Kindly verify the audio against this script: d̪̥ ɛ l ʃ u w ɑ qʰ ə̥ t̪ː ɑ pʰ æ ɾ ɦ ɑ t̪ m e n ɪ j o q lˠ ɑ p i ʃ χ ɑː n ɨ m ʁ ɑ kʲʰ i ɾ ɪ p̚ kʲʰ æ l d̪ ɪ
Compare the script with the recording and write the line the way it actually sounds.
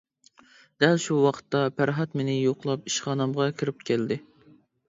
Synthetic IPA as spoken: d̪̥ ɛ l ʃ u w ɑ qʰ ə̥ t̪ː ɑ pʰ æ ɾ ɦ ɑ t̪ m e n ɪ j o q lˠ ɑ p i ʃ χ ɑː n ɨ m ʁ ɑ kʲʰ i ɾ ɪ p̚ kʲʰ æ l d̪ ɪ